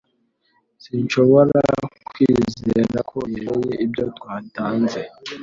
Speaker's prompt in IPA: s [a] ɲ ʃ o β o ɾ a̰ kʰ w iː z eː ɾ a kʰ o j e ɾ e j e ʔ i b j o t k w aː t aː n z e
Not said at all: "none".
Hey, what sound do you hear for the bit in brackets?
i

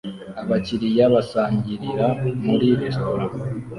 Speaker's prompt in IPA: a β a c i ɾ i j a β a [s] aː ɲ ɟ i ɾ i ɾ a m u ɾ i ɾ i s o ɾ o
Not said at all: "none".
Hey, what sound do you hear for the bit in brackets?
s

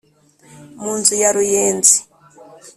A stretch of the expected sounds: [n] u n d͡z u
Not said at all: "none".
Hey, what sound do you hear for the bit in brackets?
m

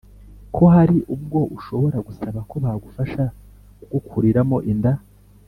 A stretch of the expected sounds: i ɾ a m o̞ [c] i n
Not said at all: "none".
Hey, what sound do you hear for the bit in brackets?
ʔ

